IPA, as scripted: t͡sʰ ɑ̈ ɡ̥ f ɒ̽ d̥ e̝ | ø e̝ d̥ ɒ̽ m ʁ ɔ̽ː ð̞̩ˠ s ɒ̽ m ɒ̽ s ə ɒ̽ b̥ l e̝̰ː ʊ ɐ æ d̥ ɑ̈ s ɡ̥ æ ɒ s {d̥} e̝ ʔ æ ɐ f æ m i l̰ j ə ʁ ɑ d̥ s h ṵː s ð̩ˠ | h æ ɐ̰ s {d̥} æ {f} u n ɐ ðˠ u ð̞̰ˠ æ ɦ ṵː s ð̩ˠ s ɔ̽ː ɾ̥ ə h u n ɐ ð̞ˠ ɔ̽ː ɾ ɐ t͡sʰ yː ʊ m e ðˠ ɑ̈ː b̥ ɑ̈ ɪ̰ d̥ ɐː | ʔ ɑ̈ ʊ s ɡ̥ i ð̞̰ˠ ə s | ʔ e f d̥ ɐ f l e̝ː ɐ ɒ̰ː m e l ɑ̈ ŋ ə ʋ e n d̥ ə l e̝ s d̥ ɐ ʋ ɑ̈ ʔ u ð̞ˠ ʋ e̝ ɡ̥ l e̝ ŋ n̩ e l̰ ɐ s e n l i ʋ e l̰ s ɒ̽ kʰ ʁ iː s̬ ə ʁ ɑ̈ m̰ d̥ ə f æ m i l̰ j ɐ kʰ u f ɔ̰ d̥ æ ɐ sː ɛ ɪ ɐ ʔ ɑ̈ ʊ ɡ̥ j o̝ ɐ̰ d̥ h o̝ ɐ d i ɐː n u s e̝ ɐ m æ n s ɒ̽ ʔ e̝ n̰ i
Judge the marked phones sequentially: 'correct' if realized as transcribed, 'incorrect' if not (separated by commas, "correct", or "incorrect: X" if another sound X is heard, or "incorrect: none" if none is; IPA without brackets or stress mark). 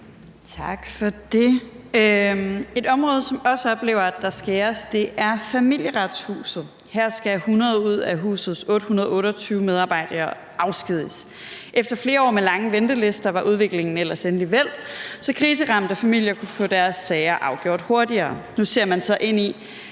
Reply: correct, incorrect: ɡ̥, incorrect: h